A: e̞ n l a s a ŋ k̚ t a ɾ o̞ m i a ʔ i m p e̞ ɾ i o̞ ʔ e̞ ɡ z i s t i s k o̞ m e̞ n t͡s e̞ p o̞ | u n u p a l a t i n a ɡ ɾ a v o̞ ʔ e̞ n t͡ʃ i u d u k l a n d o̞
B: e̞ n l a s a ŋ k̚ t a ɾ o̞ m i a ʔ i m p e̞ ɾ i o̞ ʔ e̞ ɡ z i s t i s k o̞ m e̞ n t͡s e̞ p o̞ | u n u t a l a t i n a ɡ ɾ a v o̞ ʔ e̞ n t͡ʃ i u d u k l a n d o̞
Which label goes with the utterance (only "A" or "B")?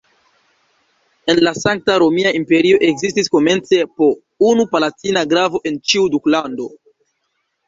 A